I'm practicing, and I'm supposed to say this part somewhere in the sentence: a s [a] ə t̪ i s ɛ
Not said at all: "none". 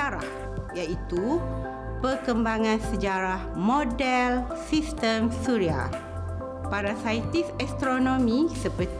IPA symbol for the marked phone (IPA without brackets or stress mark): a